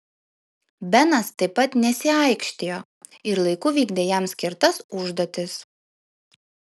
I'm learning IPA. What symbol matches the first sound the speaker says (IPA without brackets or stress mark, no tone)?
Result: bʲ